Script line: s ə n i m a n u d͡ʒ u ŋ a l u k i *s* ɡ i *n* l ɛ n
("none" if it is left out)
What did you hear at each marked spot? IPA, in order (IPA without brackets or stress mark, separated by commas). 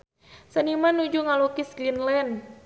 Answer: s, n